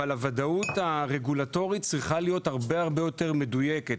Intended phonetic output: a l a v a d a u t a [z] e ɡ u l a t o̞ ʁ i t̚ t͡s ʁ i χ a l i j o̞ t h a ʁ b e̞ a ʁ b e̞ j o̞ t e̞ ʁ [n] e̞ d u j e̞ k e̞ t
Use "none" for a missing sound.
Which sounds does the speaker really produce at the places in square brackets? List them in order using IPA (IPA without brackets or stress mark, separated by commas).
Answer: ʁ, m